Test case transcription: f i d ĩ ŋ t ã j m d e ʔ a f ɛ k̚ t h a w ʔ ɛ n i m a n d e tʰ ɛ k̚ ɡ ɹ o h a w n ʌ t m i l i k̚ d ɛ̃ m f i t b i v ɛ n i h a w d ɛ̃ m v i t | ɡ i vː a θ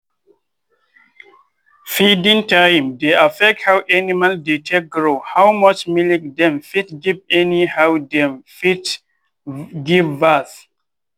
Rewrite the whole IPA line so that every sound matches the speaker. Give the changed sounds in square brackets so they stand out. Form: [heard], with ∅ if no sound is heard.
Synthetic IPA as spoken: f i d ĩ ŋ t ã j m d e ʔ a f ɛ k̚ t h a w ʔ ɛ n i m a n d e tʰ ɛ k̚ ɡ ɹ o h a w [m] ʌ [t͡ʃ] m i l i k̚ d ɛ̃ m f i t [ɡ] i v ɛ n i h a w d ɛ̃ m [f] i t | ɡ i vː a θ